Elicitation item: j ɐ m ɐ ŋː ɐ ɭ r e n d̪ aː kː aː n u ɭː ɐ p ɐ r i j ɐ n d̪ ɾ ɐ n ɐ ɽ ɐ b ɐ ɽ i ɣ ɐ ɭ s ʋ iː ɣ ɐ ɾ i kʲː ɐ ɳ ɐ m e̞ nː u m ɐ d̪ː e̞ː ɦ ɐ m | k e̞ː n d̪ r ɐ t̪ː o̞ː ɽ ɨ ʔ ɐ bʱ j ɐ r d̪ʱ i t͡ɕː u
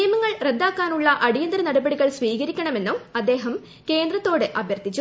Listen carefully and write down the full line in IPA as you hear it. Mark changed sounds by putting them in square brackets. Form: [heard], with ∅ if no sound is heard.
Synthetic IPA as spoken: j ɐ m ɐ ŋː ɐ ɭ r e n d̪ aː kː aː n u ɭː ɐ [ʔ] ɐ [ɽ] i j ɐ n d̪ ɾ ɐ n ɐ ɽ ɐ b ɐ ɽ i ɣ ɐ ɭ s ʋ iː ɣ ɐ ɾ i kʲː ɐ ɳ ɐ m e̞ nː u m ɐ d̪ː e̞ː ɦ ɐ m | k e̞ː n d̪ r ɐ t̪ː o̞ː ɽ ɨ ʔ ɐ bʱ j ɐ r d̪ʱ i t͡ɕː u